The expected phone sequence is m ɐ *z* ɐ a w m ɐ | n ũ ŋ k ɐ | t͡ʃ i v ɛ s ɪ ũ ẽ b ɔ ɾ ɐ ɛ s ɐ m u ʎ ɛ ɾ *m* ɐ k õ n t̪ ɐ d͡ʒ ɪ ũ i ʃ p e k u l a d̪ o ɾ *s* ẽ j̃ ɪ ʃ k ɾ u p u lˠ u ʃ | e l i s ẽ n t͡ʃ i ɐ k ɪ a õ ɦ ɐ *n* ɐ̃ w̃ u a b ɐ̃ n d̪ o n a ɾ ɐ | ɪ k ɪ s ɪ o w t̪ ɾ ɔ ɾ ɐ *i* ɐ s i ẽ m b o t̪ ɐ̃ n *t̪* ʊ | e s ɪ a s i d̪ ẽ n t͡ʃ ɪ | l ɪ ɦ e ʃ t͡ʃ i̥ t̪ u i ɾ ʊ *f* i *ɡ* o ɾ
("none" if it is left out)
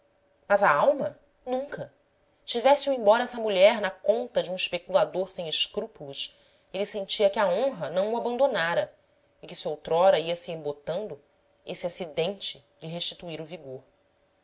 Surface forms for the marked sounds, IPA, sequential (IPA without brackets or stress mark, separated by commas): z, n, s, n, i, d̪, v, ɡ